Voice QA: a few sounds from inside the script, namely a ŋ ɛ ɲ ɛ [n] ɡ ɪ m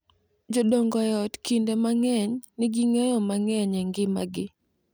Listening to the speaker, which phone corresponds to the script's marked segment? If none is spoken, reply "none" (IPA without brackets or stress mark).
ŋ